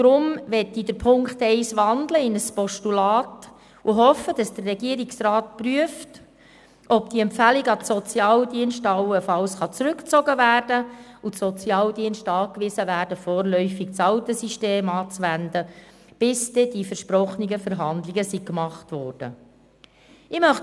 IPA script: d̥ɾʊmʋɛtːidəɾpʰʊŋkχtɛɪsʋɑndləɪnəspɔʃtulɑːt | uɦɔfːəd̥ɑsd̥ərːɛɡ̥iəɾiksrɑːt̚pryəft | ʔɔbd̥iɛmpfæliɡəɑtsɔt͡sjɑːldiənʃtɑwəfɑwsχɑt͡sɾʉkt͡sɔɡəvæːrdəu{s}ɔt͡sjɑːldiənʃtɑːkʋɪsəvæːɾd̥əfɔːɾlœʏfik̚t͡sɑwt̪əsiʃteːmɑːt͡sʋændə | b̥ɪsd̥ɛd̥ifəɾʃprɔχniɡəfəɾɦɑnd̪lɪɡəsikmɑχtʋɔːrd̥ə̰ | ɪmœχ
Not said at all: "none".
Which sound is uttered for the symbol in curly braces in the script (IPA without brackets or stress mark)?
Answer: s